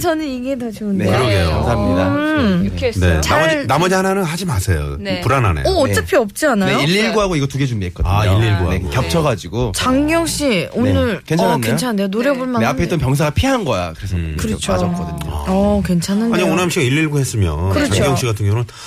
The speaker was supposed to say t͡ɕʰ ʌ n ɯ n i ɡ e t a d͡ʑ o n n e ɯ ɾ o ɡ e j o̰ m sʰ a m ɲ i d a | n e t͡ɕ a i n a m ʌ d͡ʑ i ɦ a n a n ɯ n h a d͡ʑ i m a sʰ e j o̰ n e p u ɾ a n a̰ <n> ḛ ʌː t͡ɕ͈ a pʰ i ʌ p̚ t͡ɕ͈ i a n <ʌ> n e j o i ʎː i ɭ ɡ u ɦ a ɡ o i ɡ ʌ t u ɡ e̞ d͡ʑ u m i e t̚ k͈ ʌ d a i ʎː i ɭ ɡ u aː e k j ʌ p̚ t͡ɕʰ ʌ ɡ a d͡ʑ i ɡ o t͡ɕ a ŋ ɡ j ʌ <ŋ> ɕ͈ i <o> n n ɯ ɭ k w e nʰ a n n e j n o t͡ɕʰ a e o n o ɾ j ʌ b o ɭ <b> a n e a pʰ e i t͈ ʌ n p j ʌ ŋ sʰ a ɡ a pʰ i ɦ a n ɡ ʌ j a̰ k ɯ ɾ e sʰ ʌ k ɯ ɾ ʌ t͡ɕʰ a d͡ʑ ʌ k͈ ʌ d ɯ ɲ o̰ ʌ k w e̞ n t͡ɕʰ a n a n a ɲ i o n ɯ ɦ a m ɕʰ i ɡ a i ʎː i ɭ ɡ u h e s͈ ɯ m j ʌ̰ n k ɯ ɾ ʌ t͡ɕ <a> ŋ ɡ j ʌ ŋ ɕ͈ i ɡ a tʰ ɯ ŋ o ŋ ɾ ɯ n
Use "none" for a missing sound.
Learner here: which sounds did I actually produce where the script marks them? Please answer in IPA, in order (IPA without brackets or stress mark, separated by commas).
n, a, ŋ, o, m, a